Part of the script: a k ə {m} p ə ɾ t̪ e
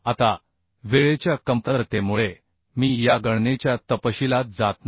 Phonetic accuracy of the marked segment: correct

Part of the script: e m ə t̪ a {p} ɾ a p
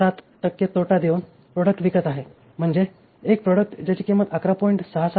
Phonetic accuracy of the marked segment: incorrect: k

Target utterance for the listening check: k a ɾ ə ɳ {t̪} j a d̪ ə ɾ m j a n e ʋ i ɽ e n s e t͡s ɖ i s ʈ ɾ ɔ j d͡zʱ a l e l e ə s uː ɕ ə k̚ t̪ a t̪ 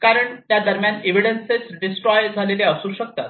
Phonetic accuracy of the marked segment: correct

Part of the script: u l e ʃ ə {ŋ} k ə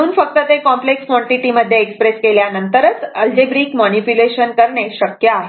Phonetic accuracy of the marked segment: incorrect: n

